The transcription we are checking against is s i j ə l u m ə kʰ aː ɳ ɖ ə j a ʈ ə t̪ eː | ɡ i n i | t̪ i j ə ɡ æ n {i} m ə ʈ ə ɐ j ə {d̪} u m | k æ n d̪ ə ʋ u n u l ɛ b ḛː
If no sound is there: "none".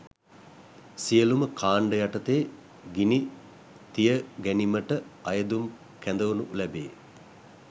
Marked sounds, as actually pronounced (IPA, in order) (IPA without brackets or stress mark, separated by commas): i, d̪